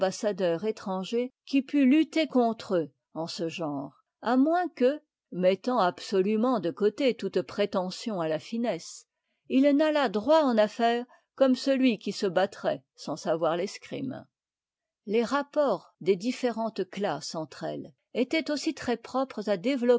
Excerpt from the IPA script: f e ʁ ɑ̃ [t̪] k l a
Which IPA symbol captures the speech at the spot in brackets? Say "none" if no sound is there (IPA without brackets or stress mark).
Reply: t̪